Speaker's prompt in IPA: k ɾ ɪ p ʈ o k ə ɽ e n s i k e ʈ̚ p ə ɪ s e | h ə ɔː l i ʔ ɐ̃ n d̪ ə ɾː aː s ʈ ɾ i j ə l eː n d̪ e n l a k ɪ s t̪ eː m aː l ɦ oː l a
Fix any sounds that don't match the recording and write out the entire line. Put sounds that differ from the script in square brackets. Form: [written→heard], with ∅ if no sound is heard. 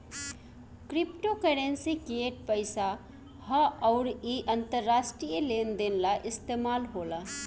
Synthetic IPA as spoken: k ɾ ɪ p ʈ o k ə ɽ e n s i k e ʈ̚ p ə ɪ s [e→a] | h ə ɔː [l→ɾ] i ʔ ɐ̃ n [d̪→t̪] ə ɾː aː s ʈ ɾ i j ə l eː n d̪ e n l a [k→ʔ] ɪ s t̪ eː m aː l ɦ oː l a